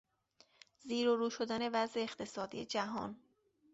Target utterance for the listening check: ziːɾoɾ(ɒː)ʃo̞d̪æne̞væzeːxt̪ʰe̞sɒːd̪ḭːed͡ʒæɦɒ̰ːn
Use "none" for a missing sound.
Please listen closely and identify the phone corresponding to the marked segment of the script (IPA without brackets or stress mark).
uː